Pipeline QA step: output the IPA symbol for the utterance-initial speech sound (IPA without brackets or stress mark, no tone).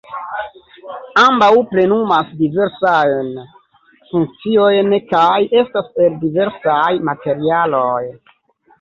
a